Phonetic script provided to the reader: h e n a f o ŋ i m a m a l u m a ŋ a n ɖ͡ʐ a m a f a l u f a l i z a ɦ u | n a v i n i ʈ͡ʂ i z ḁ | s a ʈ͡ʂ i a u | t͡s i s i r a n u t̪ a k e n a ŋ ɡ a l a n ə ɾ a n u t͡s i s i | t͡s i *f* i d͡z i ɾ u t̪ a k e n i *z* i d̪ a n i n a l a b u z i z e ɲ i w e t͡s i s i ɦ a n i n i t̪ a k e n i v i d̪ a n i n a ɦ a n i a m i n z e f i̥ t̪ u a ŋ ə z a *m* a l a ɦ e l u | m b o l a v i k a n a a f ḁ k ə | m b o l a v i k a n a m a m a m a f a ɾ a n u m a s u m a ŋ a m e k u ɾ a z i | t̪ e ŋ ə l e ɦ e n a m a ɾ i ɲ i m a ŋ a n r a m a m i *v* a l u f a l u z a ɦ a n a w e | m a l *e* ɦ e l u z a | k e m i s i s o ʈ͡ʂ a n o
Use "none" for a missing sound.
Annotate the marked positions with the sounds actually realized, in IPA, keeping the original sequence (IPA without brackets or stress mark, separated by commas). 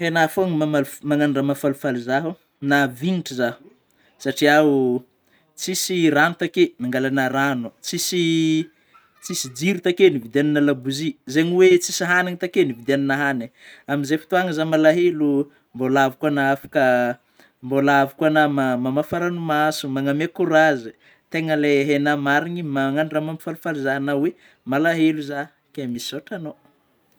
s, v, m, f, a